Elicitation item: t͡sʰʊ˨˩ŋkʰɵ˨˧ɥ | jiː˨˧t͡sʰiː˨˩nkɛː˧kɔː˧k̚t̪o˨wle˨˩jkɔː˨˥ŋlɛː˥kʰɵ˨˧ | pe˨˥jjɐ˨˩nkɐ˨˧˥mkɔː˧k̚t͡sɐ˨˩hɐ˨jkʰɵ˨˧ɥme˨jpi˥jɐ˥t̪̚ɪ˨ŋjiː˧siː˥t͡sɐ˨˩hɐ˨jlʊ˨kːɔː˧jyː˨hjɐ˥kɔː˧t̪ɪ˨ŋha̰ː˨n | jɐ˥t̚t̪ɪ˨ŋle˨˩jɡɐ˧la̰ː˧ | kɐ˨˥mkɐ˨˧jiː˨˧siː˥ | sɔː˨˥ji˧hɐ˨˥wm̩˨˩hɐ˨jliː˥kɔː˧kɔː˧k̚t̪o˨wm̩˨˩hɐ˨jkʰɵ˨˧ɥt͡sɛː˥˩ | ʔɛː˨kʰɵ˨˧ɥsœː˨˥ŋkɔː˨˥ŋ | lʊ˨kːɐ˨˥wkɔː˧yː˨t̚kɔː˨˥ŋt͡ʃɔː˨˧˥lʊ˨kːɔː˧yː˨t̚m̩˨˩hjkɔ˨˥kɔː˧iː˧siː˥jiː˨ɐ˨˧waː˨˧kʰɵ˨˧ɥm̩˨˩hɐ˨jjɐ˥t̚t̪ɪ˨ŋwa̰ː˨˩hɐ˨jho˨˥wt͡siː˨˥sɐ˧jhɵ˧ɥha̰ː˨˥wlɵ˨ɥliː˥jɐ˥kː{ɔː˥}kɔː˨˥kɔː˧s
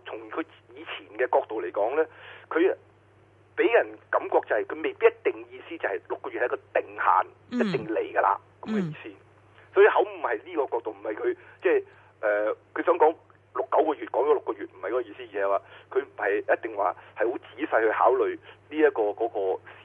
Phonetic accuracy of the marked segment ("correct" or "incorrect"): incorrect